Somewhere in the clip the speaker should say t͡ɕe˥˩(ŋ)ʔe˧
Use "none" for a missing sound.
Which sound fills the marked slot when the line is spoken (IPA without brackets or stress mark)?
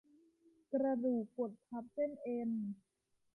n